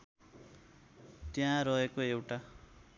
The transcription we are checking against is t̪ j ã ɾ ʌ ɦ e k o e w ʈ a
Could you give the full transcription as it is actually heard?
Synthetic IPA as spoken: t̪ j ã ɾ ʌ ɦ e k o e w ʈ a